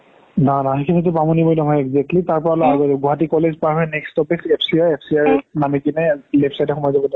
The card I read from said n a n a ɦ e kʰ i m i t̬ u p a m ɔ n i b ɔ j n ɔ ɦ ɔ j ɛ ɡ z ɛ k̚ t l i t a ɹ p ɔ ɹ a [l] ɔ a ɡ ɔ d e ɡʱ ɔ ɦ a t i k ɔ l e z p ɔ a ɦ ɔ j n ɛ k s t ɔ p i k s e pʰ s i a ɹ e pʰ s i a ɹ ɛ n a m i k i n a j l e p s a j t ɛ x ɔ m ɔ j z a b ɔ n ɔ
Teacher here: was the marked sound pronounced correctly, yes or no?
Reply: yes